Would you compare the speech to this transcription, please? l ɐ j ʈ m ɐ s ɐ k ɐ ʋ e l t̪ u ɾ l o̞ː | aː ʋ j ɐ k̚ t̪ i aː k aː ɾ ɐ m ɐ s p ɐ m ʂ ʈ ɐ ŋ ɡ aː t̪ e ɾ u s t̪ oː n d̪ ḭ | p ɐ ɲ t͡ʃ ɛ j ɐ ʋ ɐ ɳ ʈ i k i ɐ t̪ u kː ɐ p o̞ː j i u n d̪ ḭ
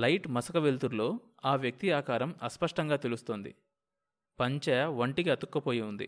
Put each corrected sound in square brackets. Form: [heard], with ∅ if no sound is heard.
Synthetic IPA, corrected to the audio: l ɐ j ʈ m ɐ s ɐ k ɐ ʋ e l t̪ u ɾ l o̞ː | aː ʋ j ɐ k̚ t̪ i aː k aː ɾ ɐ m ɐ s p ɐ [∅] ʂ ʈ ɐ ŋ ɡ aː t̪ e [l] u s t̪ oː n d̪ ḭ | p ɐ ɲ t͡ʃ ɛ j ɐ ʋ ɐ ɳ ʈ i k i ɐ t̪ u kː ɐ p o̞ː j i u n d̪ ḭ